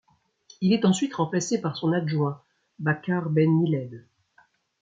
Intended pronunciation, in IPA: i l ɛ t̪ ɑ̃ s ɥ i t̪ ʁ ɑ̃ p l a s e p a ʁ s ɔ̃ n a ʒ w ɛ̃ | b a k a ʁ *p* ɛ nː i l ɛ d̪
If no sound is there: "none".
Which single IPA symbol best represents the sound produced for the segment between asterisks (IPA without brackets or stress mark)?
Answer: b